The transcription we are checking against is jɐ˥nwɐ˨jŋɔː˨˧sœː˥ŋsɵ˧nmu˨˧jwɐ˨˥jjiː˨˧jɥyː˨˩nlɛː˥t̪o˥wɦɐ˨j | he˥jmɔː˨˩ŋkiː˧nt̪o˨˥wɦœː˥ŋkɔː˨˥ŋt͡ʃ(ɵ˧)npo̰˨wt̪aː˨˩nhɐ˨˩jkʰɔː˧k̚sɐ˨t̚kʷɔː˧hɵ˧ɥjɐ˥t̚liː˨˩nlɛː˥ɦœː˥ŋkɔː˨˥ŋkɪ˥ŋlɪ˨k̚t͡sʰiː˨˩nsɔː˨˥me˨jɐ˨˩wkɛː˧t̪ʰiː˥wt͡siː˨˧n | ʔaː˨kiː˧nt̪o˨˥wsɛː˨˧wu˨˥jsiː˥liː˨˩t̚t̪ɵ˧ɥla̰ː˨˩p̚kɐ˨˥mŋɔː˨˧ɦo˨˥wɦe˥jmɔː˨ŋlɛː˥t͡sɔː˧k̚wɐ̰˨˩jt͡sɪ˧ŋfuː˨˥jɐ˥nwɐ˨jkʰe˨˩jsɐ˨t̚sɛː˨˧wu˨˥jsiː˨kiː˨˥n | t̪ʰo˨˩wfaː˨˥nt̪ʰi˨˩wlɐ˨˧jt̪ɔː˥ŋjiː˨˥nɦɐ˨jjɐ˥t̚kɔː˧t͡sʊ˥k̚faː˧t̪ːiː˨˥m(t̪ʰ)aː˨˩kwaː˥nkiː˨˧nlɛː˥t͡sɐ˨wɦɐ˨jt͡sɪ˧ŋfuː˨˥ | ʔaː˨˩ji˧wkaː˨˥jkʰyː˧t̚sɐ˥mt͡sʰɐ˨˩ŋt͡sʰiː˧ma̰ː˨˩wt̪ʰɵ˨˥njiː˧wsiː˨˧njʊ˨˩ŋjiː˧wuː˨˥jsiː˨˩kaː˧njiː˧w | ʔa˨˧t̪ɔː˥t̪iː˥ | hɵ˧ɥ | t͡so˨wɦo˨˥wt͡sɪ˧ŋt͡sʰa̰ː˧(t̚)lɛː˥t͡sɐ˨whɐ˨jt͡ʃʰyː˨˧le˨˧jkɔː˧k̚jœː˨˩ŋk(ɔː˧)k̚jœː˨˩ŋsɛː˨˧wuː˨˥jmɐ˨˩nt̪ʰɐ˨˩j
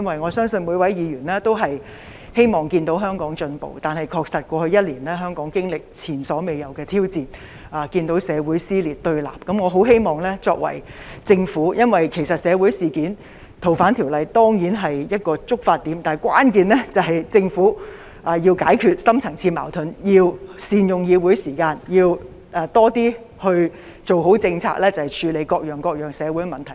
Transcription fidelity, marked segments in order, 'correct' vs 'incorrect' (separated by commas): correct, incorrect, incorrect, correct